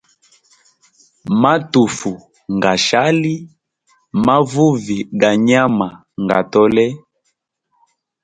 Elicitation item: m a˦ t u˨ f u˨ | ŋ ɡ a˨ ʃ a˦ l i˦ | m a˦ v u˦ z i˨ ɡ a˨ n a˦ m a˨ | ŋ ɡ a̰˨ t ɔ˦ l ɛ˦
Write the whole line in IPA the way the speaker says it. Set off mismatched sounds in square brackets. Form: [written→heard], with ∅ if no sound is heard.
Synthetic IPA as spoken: m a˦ t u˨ f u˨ | ŋ ɡ a˨ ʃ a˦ l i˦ | m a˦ v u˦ [z→v] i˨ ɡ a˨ [n→ɲ] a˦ m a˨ | ŋ ɡ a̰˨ t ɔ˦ l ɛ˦